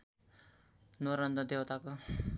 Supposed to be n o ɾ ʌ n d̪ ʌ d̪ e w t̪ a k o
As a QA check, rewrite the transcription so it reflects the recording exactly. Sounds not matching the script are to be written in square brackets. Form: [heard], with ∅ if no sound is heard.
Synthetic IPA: n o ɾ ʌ n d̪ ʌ d̪ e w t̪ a k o